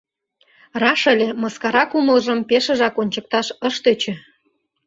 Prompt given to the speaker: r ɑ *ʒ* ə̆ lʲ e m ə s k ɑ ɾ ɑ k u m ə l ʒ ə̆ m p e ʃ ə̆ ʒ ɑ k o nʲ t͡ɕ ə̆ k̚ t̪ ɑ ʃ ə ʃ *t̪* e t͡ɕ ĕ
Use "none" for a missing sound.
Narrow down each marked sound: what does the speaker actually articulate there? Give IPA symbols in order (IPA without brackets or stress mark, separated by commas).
ʃ, t̪